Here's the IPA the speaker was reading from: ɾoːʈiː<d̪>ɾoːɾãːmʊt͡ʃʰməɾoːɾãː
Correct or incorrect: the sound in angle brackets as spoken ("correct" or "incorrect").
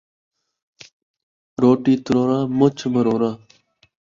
incorrect